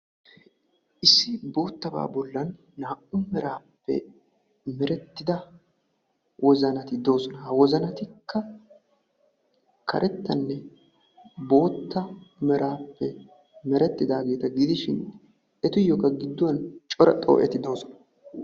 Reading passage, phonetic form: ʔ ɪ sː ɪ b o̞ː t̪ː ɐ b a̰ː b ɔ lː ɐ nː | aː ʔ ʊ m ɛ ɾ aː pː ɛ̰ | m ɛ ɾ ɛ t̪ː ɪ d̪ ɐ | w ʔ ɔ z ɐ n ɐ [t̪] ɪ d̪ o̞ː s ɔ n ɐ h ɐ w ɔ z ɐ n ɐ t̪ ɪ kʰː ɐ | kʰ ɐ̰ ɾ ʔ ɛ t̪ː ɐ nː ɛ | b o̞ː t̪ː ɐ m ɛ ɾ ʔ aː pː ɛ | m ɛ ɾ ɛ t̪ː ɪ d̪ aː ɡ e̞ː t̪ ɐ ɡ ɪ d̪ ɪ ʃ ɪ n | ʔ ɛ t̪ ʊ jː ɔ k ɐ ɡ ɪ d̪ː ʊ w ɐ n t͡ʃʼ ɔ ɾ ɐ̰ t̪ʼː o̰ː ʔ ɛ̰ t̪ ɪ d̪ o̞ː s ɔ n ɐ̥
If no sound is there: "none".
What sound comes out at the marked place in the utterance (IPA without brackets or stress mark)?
t̪